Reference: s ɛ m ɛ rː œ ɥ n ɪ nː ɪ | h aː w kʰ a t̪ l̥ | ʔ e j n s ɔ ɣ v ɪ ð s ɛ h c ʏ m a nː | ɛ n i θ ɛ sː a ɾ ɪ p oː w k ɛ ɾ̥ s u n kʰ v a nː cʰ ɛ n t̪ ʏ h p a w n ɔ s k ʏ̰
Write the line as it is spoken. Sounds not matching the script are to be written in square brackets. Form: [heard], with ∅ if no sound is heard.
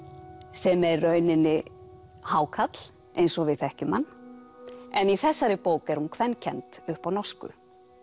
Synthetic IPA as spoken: s ɛ m ɛ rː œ ɥ n ɪ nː ɪ | h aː w kʰ a t̪ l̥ | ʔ e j n s ɔ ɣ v ɪ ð [θ] ɛ h c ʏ m a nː | ɛ n i θ ɛ sː a ɾ ɪ p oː w k ɛ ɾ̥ [h] u n kʰ v [ɛ] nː cʰ ɛ n t̪ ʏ h p a w n ɔ s k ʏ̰